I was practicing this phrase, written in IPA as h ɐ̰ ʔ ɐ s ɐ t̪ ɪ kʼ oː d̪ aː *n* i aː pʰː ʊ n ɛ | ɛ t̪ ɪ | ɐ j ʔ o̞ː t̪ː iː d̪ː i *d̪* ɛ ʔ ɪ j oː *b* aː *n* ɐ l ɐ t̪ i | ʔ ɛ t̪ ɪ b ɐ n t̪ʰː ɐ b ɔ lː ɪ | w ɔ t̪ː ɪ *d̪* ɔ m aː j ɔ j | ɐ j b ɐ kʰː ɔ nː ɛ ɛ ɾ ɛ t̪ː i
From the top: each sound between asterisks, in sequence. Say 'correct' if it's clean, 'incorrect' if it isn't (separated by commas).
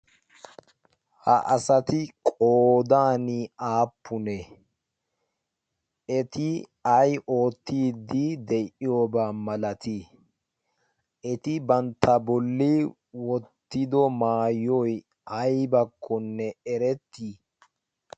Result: correct, correct, correct, incorrect, correct